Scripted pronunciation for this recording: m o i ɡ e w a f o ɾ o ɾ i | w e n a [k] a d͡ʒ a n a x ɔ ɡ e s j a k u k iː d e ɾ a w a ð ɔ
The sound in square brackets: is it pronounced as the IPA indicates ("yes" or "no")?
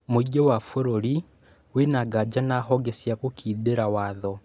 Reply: no